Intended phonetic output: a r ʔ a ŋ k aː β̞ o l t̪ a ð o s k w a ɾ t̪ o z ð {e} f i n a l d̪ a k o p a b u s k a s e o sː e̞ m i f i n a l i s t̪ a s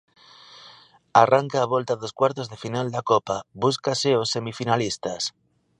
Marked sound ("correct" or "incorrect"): correct